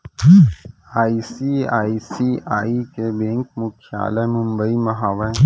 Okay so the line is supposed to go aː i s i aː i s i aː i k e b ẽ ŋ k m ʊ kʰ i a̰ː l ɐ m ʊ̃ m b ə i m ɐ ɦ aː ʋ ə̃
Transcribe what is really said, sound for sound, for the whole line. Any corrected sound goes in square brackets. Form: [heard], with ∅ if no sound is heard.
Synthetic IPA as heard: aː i s i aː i s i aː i k e b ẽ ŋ k m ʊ kʰ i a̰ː l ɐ m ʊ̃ m b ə i m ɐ ɦ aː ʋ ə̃